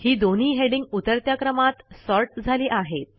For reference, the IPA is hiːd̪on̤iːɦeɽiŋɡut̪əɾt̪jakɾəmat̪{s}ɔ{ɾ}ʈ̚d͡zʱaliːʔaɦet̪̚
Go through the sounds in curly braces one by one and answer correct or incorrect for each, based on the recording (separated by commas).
correct, correct